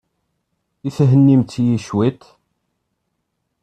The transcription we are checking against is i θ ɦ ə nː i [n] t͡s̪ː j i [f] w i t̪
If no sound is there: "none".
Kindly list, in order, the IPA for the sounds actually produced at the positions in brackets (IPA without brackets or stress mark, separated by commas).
m, ʃ